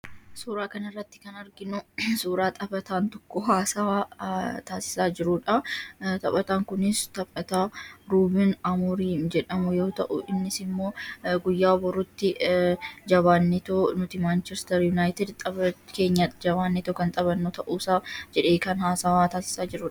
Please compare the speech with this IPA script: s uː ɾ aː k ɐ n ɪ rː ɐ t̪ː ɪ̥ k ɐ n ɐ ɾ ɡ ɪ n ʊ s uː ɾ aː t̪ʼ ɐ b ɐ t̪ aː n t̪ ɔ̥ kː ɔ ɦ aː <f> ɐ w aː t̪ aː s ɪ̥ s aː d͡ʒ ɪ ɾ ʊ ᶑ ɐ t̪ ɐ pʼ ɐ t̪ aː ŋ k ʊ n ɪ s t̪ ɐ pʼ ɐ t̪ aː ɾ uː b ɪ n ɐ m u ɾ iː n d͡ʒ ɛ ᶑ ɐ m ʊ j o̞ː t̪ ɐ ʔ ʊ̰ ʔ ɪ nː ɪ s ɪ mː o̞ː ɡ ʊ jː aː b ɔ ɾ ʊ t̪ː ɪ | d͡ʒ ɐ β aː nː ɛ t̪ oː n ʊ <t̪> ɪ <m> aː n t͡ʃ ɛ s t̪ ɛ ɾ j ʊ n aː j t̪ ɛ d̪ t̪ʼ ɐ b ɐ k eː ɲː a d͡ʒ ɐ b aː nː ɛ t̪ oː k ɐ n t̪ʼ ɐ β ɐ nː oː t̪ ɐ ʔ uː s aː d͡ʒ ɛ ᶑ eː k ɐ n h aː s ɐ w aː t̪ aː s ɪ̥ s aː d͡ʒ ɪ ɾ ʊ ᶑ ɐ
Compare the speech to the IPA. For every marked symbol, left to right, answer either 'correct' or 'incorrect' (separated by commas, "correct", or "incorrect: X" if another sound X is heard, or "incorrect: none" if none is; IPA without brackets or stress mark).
incorrect: s, correct, correct